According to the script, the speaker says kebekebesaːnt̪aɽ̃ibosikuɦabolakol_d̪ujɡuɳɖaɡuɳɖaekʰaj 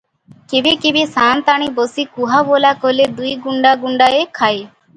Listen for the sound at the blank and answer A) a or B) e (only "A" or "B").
B